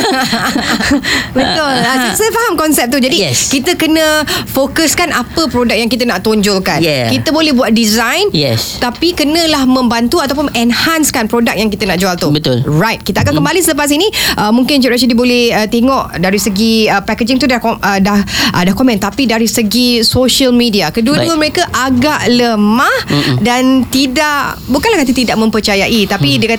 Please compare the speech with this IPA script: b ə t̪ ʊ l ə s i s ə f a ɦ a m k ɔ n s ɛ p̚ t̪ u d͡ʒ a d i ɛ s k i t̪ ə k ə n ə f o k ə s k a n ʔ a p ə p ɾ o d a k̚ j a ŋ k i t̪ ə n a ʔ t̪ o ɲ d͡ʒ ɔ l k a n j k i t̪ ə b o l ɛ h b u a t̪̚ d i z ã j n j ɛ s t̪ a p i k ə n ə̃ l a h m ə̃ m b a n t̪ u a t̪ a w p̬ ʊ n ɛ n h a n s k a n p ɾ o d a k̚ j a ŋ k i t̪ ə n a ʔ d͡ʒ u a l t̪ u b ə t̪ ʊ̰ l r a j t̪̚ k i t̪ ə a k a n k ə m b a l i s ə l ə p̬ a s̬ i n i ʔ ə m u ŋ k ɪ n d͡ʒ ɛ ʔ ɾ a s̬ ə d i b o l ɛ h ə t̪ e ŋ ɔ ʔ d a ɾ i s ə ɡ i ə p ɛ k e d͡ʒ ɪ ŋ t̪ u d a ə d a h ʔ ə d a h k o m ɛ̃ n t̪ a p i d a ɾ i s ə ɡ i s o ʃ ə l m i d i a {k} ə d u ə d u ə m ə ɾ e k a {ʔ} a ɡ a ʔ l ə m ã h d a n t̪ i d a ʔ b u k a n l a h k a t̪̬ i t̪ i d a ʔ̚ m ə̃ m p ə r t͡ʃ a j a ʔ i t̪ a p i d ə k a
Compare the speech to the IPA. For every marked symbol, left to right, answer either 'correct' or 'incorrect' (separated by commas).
correct, correct